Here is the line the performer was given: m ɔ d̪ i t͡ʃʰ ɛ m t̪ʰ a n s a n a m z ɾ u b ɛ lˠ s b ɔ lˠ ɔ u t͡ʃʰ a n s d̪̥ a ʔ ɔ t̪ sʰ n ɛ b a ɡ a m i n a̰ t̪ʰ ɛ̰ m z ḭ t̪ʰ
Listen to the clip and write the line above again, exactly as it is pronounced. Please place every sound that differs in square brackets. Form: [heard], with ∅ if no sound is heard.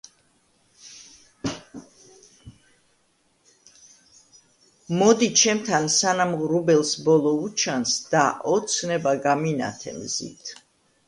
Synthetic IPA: m ɔ d̪ i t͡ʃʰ ɛ m t̪ʰ a n s a n a m [ʁ] ɾ u b ɛ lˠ s b ɔ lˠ ɔ u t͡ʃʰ a n s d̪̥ a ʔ ɔ t̪ sʰ n ɛ b a ɡ a m i n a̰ t̪ʰ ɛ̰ m z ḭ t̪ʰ